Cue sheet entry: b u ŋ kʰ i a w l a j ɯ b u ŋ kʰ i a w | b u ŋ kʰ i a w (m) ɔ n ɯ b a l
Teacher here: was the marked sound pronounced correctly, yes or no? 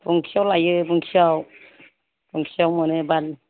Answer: yes